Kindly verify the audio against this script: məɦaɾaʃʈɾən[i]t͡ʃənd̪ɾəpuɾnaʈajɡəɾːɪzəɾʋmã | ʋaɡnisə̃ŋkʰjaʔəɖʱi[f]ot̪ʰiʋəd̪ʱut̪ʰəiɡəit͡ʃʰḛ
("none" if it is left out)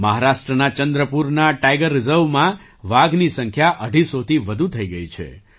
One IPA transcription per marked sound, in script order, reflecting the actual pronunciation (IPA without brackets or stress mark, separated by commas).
a, s